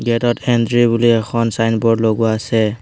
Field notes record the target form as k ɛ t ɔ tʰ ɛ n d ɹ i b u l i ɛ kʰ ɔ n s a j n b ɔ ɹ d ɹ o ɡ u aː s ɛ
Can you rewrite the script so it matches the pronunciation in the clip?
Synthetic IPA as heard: ɡ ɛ t ɔ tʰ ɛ n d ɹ i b u l i ɛ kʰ ɔ n s a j n b ɔ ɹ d l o ɡ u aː s ɛ